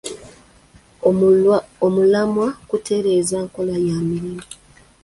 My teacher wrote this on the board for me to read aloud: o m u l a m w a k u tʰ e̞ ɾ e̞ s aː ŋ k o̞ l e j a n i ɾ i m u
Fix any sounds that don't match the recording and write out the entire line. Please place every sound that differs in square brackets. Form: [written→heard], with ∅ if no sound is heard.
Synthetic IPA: o m u l a m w a k u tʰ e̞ ɾ e̞ [s→z] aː ŋ k o̞ l [e→a] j a [n→m] i ɾ i m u